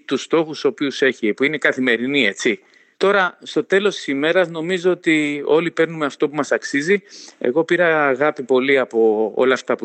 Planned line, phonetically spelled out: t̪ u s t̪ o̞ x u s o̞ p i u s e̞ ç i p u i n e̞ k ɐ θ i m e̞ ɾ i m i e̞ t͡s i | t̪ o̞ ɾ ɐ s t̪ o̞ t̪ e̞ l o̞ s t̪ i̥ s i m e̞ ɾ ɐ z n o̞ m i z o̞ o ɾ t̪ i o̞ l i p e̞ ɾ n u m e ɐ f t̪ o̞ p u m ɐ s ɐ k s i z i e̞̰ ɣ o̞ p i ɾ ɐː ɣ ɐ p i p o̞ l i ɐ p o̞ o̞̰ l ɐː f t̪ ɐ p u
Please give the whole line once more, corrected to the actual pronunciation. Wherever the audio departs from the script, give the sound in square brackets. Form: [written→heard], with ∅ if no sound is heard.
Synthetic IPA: t̪ u s t̪ o̞ x u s o̞ p i u s e̞ ç i p u i n e̞ k ɐ θ i m e̞ ɾ i [m→n] i e̞ t͡s i | t̪ o̞ ɾ ɐ s t̪ o̞ t̪ e̞ l o̞ s t̪ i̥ s i m e̞ ɾ ɐ z n o̞ m i z o̞ o [ɾ→∅] t̪ i o̞ l i p e̞ ɾ n u m e ɐ f t̪ o̞ p u m ɐ s ɐ k s i z i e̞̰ ɣ o̞ p i ɾ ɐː ɣ ɐ p i p o̞ l i ɐ p o̞ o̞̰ l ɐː f t̪ ɐ p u